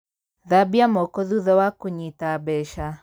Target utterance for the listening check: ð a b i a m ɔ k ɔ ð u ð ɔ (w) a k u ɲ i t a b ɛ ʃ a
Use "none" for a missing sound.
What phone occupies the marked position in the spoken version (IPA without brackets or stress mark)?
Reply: w